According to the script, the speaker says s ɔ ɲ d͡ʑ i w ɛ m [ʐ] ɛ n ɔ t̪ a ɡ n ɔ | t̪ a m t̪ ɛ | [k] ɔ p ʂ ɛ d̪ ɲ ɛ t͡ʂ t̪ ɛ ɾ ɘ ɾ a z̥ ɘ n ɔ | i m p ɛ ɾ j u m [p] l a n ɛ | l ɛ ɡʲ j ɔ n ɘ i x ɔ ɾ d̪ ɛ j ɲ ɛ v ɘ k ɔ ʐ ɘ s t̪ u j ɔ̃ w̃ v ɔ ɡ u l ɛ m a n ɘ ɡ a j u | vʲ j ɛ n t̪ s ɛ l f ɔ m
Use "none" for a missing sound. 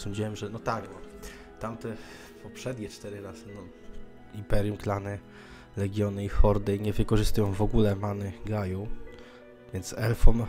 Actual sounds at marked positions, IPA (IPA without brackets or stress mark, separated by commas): ʐ, p, k